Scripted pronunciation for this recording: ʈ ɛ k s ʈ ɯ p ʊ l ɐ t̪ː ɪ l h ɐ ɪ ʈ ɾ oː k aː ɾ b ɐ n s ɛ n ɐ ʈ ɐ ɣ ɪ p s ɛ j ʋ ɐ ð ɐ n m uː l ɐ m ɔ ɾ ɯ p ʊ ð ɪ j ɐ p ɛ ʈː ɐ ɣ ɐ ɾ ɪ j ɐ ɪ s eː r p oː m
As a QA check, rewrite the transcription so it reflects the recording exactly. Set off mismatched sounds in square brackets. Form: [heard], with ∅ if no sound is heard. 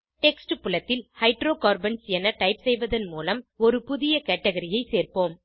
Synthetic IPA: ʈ ɛ k s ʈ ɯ p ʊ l ɐ t̪ː ɪ l h ɐ ɪ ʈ ɾ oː k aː ɾ b ɐ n s ɛ n ɐ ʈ ɐ [∅] ɪ p s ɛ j ʋ ɐ ð ɐ n m uː l ɐ m ɔ ɾ ɯ p ʊ ð ɪ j ɐ [k] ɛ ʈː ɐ ɣ ɐ ɾ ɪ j ɐ ɪ s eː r p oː m